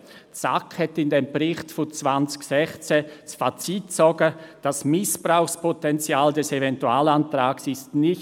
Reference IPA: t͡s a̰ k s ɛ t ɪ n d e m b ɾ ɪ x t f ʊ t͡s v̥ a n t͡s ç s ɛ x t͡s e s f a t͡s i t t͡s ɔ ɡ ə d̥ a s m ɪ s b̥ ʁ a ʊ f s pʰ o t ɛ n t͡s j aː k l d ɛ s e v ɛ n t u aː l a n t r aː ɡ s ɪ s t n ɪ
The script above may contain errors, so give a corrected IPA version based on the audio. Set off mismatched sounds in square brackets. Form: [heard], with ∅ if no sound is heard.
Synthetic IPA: t͡s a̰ k [h] ɛ t ɪ n d e m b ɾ ɪ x t f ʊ t͡s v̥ a n t͡s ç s ɛ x t͡s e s f a t͡s i t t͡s ɔ ɡ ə d̥ a s m ɪ s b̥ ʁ a ʊ [x] s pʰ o t ɛ n t͡s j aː [∅] l d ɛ s e v ɛ n t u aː l a n t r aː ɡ s ɪ s t n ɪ